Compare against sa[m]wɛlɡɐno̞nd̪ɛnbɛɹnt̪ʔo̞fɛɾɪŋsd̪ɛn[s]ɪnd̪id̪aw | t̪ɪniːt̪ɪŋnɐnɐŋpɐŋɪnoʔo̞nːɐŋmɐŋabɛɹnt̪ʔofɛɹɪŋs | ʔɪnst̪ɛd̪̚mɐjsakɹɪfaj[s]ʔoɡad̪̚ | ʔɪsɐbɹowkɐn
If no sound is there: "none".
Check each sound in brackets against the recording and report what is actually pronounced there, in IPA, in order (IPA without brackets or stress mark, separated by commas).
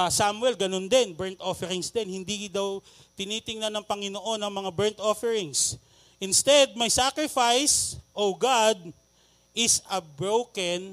m, h, s